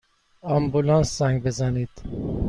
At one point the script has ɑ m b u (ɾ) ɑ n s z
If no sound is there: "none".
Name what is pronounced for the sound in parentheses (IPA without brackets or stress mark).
l